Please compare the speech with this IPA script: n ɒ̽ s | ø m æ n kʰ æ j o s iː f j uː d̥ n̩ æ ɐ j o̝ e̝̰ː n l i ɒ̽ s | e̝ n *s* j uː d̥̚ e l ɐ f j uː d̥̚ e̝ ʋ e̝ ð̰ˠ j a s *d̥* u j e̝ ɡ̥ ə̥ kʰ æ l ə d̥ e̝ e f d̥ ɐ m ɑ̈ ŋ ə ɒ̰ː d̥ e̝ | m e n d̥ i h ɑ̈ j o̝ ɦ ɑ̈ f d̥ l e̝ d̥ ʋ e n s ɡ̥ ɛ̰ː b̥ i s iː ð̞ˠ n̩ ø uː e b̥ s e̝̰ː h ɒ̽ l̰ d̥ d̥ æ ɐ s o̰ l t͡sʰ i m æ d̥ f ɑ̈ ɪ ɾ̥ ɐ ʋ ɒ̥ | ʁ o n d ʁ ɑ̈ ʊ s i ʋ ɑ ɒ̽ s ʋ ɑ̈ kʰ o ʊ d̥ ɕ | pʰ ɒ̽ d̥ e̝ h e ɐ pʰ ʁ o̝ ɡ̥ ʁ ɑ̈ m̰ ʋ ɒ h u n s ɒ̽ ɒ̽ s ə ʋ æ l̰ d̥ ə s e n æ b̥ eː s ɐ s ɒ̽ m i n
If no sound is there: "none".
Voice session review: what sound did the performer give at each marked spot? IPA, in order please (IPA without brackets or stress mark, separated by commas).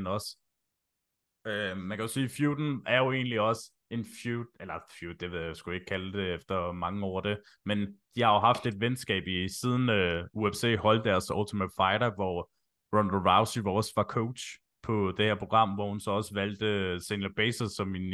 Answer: f, ɡ̥